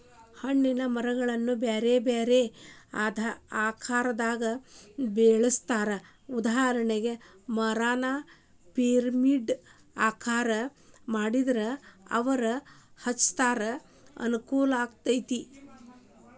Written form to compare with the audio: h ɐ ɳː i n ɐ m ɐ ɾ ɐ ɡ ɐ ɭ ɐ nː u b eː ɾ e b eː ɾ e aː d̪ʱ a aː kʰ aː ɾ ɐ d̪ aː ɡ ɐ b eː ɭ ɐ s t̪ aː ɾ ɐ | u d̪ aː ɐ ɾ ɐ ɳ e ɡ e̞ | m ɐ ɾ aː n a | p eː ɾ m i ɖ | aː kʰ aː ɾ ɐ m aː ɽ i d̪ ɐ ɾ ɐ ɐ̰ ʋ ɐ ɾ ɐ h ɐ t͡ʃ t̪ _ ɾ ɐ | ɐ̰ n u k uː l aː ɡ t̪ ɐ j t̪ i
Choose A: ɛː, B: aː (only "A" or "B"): B